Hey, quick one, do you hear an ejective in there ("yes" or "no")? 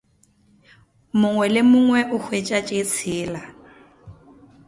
yes